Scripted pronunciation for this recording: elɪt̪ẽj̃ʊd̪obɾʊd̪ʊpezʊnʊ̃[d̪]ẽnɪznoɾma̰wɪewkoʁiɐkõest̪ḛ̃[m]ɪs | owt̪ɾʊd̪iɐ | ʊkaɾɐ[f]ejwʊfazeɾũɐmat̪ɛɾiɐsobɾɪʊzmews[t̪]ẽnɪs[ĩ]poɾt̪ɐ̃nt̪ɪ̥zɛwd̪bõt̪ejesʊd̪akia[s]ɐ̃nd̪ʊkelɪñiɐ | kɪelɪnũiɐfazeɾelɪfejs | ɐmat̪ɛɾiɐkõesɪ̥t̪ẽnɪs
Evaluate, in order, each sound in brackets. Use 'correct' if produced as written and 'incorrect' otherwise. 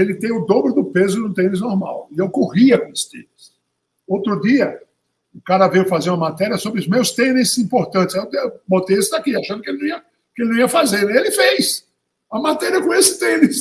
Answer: incorrect: t̪, incorrect: n, incorrect: v, correct, correct, incorrect: ʃ

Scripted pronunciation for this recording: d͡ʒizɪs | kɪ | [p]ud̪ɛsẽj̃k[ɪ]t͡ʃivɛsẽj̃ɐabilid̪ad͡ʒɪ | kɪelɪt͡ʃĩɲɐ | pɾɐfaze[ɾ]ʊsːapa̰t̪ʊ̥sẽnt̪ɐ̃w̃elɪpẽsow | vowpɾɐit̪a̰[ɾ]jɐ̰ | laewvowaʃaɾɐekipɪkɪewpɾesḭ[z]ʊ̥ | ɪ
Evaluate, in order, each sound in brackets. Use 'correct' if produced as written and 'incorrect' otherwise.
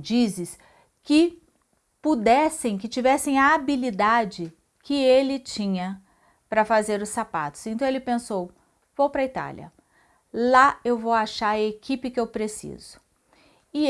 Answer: correct, correct, correct, incorrect: l, correct

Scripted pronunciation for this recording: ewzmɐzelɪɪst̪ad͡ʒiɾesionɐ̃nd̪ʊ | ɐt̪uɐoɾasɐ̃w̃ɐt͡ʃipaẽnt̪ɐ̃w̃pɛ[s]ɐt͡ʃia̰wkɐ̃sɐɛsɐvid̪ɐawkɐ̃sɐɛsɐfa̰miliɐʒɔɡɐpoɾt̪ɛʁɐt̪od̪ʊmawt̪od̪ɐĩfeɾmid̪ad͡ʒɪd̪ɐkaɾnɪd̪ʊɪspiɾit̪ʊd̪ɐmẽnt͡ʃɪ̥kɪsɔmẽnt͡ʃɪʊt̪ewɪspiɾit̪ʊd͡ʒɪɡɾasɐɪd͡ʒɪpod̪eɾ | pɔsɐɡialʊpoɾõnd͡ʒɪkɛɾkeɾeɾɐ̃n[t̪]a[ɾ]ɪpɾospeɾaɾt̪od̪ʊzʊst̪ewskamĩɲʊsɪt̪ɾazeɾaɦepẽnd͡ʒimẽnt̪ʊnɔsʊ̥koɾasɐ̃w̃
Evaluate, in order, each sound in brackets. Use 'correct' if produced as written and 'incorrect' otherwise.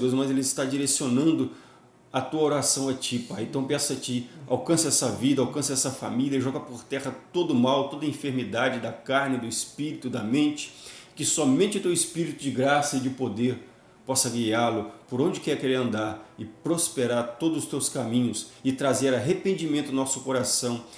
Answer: correct, incorrect: d̪, correct

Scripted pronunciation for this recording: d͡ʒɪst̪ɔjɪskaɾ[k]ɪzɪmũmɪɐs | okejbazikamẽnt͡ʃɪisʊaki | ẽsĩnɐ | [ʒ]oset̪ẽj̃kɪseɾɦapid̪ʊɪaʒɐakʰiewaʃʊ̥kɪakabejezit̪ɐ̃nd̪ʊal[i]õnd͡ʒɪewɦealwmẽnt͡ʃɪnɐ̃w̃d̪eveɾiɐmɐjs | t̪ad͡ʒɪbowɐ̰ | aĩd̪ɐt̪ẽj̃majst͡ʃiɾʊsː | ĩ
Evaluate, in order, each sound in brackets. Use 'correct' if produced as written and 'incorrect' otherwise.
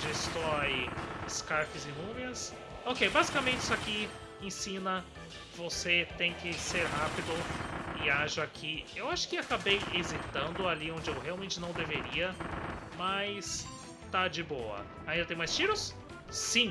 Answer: correct, incorrect: v, correct

